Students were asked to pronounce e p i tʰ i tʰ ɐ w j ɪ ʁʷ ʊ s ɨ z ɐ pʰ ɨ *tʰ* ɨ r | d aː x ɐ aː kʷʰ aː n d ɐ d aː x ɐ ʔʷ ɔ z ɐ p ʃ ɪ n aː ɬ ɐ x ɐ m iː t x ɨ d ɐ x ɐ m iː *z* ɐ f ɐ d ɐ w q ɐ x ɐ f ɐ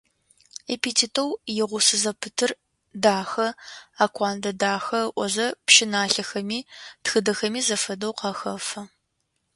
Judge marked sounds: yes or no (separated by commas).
yes, yes